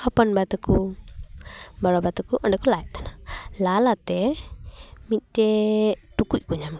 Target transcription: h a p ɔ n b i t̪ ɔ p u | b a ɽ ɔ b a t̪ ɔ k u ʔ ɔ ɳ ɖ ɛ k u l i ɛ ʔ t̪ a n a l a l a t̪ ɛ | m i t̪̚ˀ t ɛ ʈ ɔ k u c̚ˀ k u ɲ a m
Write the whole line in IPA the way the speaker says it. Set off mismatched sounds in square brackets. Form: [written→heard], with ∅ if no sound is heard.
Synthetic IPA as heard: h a p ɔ n b [i→a] t̪ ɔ [p→k] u | b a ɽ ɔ b a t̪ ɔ k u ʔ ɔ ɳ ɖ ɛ k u l [i→a] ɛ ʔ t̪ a n a l a l a t̪ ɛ | m i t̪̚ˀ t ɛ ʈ [ɔ→u] k u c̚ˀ k u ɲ a m